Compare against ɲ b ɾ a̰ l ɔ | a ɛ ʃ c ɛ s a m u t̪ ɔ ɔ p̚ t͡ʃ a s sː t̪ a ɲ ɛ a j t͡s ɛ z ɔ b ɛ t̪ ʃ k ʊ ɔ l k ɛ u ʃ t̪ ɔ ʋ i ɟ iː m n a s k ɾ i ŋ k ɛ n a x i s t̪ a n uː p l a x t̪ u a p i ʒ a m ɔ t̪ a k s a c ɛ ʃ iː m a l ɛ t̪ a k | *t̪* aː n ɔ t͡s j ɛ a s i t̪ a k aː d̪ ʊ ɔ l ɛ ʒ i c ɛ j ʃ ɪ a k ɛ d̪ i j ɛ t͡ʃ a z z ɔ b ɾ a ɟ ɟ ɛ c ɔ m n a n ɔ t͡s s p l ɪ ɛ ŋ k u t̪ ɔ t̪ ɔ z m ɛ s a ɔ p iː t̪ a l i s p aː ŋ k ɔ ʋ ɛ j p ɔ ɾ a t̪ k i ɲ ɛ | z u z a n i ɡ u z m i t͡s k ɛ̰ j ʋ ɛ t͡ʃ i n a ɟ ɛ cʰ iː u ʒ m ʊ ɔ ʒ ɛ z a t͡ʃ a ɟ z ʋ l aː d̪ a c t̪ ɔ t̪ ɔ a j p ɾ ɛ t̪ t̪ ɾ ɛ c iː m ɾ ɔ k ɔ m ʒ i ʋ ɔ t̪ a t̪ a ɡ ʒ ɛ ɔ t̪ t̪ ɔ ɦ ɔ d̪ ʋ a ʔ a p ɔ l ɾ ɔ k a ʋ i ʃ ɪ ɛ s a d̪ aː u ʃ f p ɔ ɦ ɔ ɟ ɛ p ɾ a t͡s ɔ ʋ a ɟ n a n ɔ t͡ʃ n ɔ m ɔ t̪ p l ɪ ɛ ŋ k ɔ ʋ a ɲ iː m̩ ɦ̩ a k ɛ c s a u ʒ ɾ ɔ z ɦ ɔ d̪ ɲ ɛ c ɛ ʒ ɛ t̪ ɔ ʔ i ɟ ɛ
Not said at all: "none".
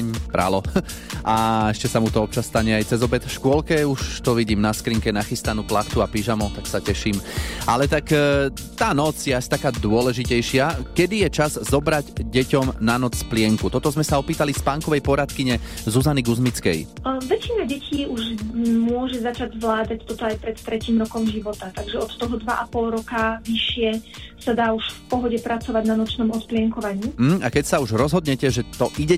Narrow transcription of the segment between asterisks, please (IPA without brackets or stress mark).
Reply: t̪